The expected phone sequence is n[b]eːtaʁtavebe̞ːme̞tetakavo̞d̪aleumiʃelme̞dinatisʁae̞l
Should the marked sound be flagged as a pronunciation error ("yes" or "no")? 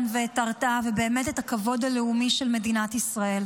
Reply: yes